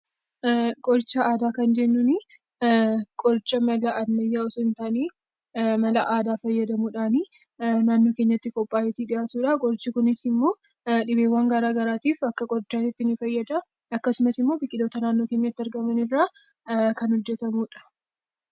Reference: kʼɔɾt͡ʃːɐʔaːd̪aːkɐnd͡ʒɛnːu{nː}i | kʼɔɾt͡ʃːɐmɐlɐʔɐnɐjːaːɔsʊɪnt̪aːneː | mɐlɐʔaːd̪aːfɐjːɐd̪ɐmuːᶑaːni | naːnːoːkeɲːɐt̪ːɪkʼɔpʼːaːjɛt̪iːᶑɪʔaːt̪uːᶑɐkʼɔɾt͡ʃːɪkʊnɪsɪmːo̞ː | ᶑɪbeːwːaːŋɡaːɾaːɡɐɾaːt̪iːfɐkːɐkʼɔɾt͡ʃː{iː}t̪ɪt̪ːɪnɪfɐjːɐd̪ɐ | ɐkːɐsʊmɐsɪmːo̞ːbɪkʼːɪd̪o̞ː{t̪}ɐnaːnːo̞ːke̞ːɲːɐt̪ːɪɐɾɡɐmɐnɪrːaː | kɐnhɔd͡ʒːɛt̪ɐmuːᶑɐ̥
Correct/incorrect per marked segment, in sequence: incorrect: n, incorrect: aː, correct

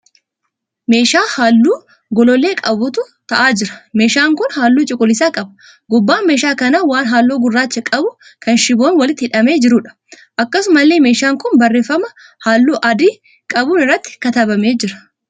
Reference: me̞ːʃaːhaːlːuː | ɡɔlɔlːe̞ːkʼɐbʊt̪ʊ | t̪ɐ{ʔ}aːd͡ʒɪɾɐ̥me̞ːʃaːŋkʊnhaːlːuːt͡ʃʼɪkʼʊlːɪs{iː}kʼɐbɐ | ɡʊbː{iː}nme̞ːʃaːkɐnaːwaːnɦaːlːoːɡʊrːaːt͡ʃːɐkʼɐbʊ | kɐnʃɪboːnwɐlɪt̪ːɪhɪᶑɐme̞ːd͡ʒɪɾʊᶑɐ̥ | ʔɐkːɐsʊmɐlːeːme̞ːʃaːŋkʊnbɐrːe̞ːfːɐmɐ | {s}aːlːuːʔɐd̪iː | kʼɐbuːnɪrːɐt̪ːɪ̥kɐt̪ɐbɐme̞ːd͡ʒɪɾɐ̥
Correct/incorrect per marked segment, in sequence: correct, incorrect: aː, incorrect: aː, incorrect: h

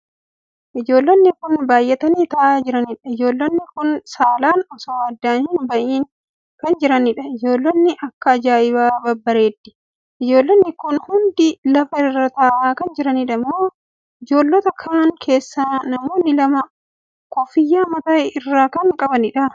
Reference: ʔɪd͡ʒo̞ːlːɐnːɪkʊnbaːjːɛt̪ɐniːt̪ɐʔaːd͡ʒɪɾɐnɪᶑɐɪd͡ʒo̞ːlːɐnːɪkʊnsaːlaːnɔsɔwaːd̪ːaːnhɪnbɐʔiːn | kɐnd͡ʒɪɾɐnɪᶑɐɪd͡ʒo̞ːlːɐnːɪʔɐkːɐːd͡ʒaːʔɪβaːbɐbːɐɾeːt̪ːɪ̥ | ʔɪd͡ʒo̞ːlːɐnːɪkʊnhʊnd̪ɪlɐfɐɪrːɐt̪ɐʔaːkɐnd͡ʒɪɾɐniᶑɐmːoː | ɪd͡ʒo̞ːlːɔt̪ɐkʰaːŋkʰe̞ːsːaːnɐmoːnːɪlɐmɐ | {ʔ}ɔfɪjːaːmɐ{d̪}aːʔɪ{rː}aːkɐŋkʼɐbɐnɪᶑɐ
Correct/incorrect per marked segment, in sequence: incorrect: k, incorrect: t̪, correct

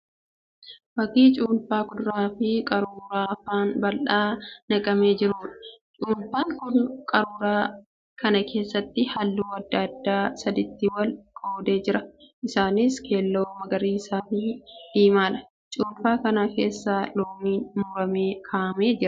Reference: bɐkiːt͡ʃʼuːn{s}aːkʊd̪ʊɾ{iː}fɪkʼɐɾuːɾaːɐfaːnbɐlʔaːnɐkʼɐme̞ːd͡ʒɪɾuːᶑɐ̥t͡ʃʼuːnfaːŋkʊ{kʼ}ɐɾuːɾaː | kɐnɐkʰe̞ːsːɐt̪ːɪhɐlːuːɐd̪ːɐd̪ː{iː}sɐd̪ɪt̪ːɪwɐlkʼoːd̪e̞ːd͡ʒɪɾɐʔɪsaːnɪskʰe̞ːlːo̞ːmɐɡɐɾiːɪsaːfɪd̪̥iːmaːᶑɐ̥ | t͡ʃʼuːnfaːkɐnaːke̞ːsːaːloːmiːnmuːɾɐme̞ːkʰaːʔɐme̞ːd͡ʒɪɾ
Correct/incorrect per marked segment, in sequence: incorrect: f, incorrect: aː, correct, incorrect: aː

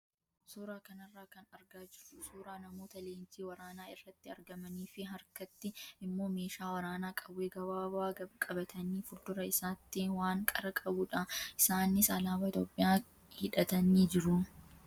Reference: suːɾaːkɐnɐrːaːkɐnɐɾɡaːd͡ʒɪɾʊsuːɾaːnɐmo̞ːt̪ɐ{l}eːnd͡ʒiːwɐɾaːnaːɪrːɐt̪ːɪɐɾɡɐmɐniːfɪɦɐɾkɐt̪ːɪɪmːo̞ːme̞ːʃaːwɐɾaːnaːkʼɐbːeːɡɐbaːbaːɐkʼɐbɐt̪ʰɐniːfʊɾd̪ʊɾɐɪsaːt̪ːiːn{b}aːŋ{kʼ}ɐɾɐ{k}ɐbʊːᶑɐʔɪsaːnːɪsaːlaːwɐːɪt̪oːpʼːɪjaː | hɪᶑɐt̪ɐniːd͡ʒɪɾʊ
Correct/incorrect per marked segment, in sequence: correct, incorrect: w, correct, incorrect: kʼ

